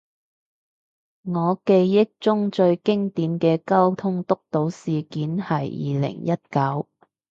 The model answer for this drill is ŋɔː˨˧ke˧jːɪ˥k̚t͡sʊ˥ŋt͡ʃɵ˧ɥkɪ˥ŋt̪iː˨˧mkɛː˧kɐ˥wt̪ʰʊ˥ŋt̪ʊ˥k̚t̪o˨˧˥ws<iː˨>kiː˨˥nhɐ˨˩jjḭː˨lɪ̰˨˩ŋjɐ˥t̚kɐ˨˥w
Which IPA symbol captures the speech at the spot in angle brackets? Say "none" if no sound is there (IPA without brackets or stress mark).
iː˨